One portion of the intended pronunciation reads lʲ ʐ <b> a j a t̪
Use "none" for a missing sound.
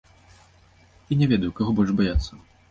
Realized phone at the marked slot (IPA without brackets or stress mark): b